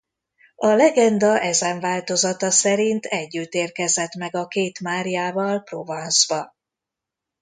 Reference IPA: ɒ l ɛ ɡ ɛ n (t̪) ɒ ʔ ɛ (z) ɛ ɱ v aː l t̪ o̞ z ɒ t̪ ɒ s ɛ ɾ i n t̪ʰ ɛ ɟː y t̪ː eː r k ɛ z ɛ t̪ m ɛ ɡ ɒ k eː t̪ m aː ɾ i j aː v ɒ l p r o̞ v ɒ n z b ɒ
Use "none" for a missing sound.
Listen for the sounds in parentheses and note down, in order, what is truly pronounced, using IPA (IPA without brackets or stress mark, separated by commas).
d̪, z